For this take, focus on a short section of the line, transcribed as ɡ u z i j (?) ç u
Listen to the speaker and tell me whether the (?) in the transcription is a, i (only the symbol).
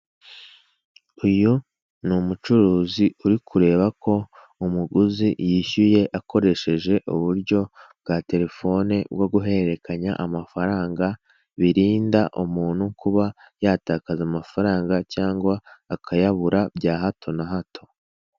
i